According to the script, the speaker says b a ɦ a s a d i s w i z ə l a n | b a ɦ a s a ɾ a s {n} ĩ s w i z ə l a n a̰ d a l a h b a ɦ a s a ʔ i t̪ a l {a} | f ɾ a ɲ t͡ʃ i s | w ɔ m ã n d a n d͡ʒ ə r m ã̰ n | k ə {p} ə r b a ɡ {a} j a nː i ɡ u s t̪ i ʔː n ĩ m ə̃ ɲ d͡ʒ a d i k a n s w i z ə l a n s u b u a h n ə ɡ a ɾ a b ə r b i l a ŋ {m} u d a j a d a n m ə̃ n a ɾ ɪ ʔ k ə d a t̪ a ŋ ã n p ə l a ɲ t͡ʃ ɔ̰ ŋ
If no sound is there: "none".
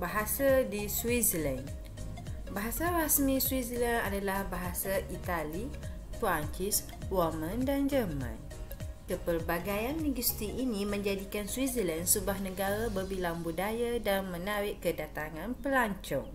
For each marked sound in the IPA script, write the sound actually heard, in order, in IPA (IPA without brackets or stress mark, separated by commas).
m, i, p, a, b